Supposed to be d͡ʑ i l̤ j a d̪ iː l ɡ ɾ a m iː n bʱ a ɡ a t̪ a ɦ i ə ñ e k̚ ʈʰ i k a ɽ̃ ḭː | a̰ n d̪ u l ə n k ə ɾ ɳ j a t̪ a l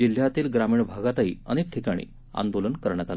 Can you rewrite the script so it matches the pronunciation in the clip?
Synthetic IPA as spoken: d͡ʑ i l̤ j a t̪ iː l ɡ ɾ a m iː ɳ bʱ a ɡ a t̪ a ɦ i ə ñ e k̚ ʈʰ i k a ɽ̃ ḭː | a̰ n d̪ o l ə n k ə ɾ ɳ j a t̪ a l